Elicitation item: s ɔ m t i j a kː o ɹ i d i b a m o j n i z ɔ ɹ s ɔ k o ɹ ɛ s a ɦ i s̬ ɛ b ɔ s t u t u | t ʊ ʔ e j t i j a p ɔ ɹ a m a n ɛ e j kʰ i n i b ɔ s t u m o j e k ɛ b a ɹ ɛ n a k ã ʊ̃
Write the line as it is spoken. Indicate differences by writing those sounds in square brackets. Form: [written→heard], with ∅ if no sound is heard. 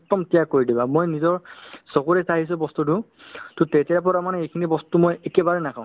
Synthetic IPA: [s→t] ɔ m t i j a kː o ɹ i d i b a m o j n i z ɔ ɹ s ɔ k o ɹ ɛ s a ɦ i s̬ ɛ b ɔ s t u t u | t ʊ [ʔ→t] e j t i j a p ɔ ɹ a m a n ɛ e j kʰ i n i b ɔ s t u m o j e k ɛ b a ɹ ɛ n a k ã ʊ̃